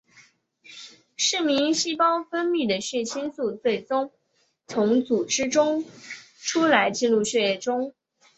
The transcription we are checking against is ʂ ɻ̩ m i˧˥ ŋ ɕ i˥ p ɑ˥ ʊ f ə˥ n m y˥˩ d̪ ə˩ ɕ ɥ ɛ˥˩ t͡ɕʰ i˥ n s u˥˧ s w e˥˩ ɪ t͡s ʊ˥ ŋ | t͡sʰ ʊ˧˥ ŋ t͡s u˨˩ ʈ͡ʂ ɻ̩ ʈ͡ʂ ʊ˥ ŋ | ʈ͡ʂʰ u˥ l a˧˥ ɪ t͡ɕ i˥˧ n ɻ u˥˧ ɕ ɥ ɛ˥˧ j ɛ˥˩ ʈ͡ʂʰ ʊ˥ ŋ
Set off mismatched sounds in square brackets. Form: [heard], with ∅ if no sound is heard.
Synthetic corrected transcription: ʂ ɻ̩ m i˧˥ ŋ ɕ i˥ p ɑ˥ ʊ f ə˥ n m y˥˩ d̪ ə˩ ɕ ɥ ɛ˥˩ t͡ɕʰ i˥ n s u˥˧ [t͡s] w e˥˩ ɪ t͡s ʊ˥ ŋ | t͡sʰ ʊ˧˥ ŋ t͡s u˨˩ ʈ͡ʂ ɻ̩ ʈ͡ʂ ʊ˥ ŋ | ʈ͡ʂʰ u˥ l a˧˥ ɪ t͡ɕ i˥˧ n ɻ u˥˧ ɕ ɥ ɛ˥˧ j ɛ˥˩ [ʈ͡ʂ] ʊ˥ ŋ